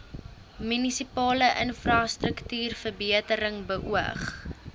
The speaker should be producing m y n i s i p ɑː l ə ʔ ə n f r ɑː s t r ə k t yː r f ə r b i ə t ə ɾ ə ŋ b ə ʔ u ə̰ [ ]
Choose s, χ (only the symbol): χ